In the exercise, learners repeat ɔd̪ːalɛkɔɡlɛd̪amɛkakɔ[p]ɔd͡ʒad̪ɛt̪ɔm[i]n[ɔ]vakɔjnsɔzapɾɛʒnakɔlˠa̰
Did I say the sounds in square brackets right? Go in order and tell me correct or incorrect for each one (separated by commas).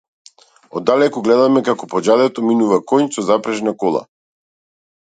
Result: correct, correct, incorrect